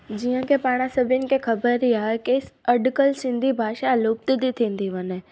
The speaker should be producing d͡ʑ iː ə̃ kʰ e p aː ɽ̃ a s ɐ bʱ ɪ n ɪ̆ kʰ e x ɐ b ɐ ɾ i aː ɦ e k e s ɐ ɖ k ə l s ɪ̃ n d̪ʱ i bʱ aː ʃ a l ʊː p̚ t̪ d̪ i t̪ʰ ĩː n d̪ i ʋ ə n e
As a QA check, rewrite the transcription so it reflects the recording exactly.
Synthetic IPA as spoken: d͡ʑ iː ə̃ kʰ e p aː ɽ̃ a s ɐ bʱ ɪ n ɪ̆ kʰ e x ɐ b ə ɾ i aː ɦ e k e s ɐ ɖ k ə l s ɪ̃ n d̪ʱ i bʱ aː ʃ a l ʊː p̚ t̪ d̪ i t̪ʰ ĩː n d̪ i ʋ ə n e